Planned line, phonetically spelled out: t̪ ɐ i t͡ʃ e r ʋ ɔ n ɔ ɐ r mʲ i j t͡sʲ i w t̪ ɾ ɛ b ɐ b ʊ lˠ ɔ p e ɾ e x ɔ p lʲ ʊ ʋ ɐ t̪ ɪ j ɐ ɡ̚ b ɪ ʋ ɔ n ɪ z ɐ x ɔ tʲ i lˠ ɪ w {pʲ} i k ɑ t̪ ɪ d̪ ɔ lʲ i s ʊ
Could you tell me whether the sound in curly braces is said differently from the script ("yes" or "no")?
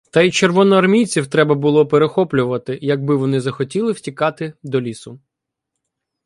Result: yes